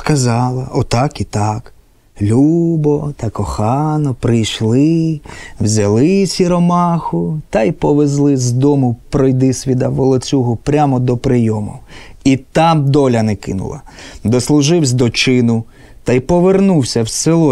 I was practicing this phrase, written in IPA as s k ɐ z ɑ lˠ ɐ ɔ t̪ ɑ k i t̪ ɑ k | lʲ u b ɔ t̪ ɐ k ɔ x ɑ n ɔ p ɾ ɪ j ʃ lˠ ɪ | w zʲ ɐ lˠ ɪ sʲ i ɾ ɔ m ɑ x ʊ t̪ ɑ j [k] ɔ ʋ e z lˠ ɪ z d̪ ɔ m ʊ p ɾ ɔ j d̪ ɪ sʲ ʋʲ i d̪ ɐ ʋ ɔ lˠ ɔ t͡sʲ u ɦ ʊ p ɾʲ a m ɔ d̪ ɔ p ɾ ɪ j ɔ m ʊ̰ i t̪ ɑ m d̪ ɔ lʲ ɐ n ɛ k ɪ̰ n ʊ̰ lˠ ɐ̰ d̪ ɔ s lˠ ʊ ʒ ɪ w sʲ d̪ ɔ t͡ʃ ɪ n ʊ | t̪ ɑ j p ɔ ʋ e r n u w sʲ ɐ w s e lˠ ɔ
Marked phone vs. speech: incorrect: p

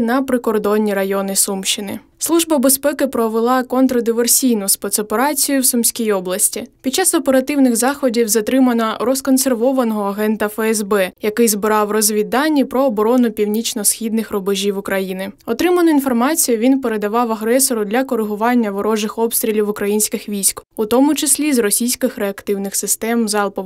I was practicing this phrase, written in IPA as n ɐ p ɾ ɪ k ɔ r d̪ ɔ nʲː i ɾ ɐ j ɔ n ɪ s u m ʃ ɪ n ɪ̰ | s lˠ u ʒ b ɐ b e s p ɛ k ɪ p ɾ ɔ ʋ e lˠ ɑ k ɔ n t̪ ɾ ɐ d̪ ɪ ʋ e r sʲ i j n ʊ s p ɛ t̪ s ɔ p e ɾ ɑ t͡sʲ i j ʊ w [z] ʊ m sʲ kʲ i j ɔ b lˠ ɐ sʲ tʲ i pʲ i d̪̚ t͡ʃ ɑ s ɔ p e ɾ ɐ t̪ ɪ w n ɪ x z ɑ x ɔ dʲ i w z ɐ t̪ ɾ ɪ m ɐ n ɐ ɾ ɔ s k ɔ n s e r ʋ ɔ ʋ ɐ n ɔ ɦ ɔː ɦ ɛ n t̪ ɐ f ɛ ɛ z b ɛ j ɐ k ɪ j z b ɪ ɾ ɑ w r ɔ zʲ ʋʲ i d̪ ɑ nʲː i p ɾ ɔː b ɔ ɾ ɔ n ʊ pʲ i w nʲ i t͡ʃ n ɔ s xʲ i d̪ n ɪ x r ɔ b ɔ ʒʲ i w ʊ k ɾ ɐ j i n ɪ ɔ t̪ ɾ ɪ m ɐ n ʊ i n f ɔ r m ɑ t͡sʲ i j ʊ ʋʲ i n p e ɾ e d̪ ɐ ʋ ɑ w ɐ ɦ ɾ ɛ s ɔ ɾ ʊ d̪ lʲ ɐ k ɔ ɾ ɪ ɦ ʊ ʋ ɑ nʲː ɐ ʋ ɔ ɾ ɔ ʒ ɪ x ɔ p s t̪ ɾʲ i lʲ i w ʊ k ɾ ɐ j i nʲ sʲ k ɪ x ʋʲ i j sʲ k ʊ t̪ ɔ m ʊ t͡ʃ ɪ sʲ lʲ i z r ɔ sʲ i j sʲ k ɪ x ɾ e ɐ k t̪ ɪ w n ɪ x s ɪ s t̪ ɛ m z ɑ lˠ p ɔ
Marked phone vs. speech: incorrect: s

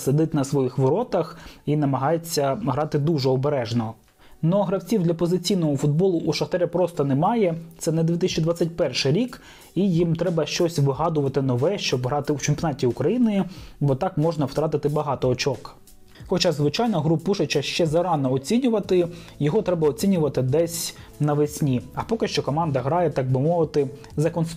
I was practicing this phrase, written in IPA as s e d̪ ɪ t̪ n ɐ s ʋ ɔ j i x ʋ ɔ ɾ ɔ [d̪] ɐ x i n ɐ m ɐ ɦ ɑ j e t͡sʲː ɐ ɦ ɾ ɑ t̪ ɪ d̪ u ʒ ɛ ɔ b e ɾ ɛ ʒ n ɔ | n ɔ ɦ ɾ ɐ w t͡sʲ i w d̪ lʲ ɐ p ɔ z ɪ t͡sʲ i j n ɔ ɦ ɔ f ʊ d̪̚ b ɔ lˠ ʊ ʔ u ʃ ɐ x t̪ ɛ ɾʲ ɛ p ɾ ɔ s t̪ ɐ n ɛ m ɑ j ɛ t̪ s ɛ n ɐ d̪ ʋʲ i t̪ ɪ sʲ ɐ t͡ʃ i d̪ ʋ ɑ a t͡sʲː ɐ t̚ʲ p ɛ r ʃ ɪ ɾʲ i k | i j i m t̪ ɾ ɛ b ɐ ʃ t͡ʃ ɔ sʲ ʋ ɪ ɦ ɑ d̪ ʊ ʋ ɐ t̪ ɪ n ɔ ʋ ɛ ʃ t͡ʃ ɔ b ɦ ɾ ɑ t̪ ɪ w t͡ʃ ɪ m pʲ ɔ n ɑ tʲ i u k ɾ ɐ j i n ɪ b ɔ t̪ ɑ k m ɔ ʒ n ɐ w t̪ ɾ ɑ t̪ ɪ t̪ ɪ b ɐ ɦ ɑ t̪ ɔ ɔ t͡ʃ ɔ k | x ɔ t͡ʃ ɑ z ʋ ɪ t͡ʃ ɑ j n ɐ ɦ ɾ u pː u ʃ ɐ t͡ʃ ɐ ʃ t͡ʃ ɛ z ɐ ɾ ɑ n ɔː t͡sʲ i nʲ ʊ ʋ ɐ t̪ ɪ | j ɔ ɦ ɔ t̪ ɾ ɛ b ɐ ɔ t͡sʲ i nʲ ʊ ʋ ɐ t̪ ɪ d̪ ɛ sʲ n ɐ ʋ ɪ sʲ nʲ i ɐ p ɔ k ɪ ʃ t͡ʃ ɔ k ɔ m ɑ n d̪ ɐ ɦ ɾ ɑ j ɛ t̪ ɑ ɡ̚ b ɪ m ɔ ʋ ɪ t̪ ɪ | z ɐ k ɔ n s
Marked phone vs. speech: incorrect: t̪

